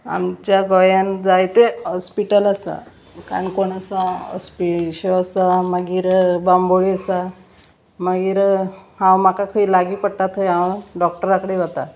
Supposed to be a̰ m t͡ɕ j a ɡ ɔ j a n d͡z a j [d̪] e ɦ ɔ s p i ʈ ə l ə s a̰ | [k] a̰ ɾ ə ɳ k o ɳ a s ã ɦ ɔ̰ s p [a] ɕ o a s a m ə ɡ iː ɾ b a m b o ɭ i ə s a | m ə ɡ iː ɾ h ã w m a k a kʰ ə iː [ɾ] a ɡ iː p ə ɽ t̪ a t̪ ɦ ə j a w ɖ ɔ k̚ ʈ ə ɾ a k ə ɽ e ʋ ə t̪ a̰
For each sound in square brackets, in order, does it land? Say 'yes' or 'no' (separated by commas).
no, yes, no, no